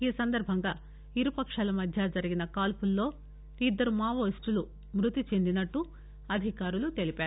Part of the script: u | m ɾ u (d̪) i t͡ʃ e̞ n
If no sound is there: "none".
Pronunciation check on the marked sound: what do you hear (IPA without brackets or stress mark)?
t̪